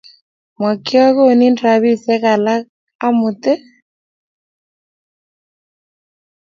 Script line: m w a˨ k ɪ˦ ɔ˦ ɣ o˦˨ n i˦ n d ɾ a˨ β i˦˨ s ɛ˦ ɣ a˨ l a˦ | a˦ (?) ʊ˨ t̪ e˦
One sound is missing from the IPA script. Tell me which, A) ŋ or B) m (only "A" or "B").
B